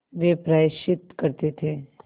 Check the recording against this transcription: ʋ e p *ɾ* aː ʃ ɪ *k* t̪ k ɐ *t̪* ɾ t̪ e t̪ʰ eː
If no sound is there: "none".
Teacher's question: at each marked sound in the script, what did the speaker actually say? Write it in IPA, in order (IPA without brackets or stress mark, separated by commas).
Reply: ɾ, none, none